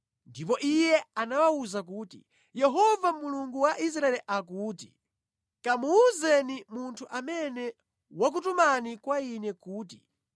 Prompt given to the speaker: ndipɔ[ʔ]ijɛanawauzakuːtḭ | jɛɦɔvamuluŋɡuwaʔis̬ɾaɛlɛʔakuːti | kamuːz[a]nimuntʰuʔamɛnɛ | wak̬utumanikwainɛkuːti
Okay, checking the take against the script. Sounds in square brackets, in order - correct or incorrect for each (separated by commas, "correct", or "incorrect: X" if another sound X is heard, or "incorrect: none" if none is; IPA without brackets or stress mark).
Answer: correct, incorrect: ɛ